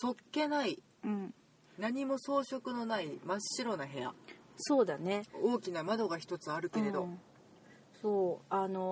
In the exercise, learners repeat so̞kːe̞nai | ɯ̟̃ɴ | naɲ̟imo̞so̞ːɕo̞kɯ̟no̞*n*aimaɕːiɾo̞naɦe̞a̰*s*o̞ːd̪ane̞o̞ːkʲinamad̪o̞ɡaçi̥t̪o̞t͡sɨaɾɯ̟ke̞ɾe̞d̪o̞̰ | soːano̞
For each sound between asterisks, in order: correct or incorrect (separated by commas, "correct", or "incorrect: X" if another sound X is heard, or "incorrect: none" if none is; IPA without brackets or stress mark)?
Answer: correct, correct